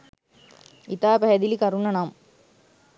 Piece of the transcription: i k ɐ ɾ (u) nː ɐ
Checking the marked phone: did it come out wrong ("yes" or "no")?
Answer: no